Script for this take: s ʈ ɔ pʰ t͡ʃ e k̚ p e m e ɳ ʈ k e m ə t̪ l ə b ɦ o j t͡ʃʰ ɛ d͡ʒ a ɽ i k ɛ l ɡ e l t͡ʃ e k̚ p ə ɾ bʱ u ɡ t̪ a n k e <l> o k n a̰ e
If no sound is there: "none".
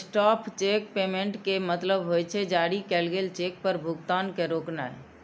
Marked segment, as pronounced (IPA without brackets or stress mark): ɾ